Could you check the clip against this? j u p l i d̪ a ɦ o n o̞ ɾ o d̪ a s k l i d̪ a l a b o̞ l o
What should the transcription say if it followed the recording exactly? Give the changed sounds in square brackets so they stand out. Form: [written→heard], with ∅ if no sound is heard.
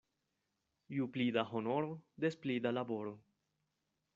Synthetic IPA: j u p l i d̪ a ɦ o n o̞ ɾ o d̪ [a→e] s [k→p] l i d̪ a l a b o̞ [l→ɾ] o